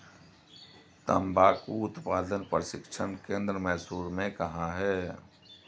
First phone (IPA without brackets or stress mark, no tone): t̪